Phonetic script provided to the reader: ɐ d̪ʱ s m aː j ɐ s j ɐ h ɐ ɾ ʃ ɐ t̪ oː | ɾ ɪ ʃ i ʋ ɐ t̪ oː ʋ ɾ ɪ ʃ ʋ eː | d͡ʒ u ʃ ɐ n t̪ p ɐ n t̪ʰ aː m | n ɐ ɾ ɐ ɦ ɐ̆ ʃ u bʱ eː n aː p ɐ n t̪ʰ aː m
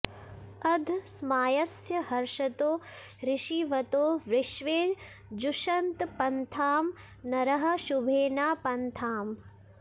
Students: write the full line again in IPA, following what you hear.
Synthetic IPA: ɐ d̪ʱ s m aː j ɐ s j ɐ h ɐ ɾ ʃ ɐ t̪ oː | ɾ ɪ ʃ i ʋ ɐ t̪ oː ʋ ɾ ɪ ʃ ʋ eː | d͡ʒ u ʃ ɐ n t̪ p ɐ n t̪ʰ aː m | n ɐ ɾ ɐ ɦ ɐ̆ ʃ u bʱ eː n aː p ɐ n t̪ʰ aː m